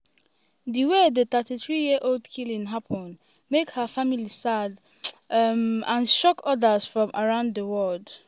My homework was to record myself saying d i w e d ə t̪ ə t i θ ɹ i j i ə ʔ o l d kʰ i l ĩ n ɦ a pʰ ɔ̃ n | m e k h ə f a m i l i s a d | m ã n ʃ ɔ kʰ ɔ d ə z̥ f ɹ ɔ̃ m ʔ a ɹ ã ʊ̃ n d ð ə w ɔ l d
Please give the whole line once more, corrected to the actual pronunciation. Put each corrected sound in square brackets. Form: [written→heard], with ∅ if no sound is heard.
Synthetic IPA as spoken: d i w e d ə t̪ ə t i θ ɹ i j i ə ʔ o l d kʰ i l ĩ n ɦ a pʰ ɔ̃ n | m e k h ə f a m i l i s a d | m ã n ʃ ɔ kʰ ɔ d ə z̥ f ɹ ɔ̃ m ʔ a ɹ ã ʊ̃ n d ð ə w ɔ l d